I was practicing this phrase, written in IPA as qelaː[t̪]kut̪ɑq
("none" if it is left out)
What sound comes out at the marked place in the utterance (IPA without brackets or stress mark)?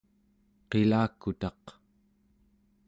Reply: none